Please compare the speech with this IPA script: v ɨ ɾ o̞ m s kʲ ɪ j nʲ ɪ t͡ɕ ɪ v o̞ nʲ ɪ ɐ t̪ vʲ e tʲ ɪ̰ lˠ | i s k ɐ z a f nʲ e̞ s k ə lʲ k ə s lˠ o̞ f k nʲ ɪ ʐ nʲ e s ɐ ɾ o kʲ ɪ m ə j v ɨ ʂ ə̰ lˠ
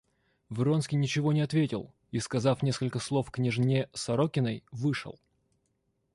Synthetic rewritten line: v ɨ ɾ o̞ n s kʲ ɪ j nʲ ɪ t͡ɕ ɪ v o̞ nʲ ɪ ɐ t̪ vʲ e tʲ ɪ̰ lˠ | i s k ɐ z a f nʲ e̞ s k ə lʲ k ə s lˠ o̞ f k nʲ ɪ ʐ nʲ e s ɐ ɾ o kʲ ɪ n ə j v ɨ ʂ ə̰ lˠ